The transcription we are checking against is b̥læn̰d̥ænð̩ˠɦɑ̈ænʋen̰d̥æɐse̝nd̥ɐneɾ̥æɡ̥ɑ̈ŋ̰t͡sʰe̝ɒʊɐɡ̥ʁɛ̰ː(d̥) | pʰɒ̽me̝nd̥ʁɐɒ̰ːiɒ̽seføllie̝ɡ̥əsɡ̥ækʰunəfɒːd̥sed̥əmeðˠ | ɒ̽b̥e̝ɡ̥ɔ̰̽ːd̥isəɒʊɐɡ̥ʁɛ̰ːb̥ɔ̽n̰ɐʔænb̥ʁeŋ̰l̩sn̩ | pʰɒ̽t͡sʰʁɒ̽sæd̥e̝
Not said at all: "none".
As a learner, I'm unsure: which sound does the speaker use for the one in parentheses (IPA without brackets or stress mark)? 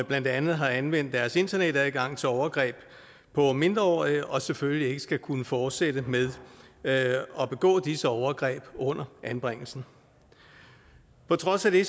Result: b̥